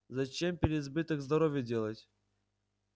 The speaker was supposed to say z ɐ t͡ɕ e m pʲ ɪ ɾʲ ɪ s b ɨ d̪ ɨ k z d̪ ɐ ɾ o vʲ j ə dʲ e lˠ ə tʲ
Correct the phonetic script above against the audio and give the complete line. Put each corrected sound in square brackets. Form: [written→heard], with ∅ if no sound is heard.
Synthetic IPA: z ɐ t͡ɕ e m pʲ ɪ ɾʲ ɪ [s→z] b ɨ [d̪→t̪] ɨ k z d̪ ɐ ɾ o vʲ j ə dʲ e lˠ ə tʲ